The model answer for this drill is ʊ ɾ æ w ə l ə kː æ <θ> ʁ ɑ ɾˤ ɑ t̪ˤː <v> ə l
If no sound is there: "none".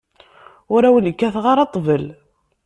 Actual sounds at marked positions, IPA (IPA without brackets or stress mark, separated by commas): θ, v